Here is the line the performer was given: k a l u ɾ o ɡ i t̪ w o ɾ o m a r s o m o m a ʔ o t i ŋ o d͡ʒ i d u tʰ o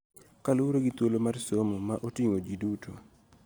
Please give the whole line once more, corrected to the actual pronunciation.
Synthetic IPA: k a l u ɾ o ɡ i t̪ w o l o m a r s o m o m a ʔ o t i ŋ o d͡ʒ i d u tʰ o